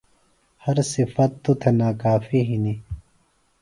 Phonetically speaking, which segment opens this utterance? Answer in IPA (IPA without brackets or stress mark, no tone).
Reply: h